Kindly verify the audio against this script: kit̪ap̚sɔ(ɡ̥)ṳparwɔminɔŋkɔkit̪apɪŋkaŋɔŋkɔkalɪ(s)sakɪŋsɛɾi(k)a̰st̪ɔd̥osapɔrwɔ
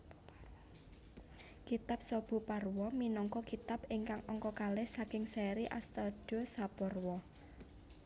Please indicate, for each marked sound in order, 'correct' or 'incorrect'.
incorrect, incorrect, incorrect

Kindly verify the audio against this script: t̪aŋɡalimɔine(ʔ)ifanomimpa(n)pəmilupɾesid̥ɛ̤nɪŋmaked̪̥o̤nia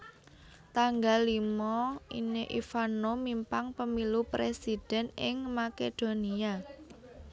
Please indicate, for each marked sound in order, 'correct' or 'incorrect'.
correct, incorrect

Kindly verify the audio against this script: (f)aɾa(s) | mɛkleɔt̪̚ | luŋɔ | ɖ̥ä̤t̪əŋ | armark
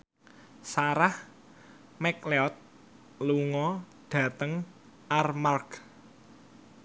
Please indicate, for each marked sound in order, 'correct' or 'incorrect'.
incorrect, incorrect

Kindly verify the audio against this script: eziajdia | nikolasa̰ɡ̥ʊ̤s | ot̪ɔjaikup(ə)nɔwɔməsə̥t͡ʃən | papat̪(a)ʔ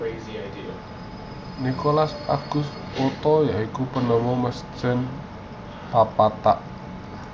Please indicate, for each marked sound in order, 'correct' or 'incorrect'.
correct, correct

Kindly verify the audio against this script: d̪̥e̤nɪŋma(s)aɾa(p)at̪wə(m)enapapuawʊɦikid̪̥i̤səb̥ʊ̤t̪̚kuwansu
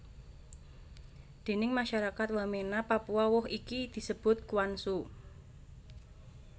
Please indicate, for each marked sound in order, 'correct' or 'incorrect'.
incorrect, incorrect, correct

